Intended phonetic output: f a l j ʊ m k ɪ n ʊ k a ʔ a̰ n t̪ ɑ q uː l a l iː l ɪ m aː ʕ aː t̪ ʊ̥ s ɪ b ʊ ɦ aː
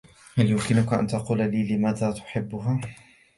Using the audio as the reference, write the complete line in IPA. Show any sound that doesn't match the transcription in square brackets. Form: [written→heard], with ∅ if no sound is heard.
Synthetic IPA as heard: [f→h] a l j ʊ m k ɪ n ʊ k a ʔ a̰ n t̪ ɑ q uː l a l iː l ɪ m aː [ʕ→ð] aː t̪ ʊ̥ [s→ħ] ɪ [b→bː] ʊ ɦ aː

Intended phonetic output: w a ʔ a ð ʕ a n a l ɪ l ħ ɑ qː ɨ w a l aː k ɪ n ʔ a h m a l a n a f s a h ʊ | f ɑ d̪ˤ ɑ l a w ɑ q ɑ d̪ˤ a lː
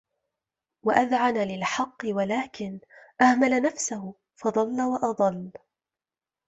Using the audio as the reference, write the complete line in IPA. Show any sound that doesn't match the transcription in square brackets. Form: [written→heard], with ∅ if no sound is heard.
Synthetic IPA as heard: w a ʔ a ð ʕ a n a l ɪ l ħ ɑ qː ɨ w a l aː k ɪ n ʔ a h m a l a n a f s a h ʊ | f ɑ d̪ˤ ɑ [l→lː] a w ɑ [q→ʔ] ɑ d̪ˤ [a→ɑ] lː

